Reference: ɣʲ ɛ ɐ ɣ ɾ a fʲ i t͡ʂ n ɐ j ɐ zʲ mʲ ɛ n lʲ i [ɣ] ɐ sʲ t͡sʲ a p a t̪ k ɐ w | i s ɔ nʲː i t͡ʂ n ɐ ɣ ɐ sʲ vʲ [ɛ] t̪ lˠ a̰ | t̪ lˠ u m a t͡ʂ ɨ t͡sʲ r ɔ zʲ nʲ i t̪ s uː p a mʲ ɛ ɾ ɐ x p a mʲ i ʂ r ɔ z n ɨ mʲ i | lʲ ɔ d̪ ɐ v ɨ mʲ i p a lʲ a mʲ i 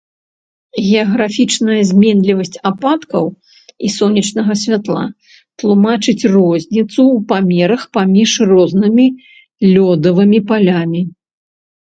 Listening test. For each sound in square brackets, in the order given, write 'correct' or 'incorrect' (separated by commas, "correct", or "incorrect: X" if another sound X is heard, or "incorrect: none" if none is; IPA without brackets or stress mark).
incorrect: v, incorrect: a